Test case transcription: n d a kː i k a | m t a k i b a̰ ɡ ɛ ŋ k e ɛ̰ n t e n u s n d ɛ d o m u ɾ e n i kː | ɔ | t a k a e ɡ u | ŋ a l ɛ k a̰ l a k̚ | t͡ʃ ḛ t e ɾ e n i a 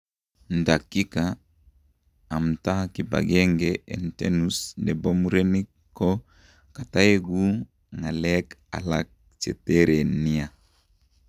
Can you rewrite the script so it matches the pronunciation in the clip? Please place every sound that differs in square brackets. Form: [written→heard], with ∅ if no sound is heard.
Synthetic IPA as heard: n d a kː i k a | m t a k i b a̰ ɡ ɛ ŋ [k→ɡ] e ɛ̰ n t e n u s n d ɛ [d→b] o m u ɾ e n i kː | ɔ | [t→k] a [k→t] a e ɡ u | ŋ a l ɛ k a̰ l a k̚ | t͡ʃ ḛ t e ɾ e n i a